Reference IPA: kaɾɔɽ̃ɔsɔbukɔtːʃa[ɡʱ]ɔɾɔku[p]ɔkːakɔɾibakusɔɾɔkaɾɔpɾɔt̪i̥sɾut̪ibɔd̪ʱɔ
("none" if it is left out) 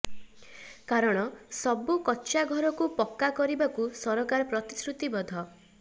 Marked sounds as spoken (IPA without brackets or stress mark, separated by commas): ɡʱ, p